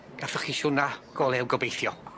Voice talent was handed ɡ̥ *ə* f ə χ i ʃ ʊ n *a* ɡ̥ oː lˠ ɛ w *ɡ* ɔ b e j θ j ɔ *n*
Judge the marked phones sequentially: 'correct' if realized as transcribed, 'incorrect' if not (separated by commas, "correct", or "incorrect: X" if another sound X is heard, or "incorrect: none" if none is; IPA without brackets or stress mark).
incorrect: a, correct, correct, incorrect: none